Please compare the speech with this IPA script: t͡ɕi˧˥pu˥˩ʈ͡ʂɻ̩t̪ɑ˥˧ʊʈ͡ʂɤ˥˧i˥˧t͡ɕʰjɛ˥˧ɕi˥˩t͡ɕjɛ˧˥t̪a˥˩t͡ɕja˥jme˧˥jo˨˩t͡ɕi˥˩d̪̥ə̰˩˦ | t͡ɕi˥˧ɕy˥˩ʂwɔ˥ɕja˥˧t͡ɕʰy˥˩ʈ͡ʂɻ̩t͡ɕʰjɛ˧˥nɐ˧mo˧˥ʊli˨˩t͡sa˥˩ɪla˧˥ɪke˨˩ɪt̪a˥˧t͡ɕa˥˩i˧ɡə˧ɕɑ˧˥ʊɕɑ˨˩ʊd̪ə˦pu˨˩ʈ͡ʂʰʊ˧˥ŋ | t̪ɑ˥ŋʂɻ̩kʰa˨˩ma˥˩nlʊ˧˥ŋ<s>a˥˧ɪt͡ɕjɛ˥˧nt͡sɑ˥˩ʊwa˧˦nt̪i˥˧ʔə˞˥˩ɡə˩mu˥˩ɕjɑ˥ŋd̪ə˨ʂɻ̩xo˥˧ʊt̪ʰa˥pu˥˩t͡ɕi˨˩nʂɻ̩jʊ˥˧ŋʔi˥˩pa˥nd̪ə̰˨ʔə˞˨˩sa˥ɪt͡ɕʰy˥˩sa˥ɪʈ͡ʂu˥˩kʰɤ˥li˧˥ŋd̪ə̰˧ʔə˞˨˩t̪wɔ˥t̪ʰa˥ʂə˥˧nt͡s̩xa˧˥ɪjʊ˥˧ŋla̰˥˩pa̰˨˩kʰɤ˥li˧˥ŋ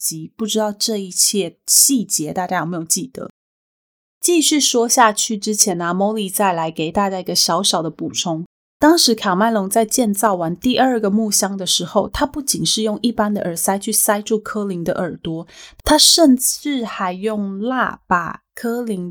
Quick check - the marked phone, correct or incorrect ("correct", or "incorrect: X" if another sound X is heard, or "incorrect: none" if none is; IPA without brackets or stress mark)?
incorrect: t͡s